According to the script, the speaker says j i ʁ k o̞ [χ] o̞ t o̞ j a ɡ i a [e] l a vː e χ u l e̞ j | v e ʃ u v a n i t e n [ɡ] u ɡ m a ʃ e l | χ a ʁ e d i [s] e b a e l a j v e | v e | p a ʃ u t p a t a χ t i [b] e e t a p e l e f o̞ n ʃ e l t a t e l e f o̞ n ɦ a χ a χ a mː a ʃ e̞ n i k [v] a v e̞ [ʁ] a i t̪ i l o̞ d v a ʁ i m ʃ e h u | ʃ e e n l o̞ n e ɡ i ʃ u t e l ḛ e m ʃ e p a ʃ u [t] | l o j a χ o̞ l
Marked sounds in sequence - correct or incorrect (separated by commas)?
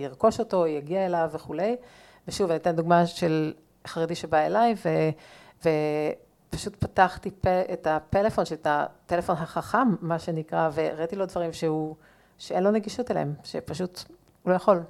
incorrect, correct, incorrect, incorrect, incorrect, incorrect, correct, correct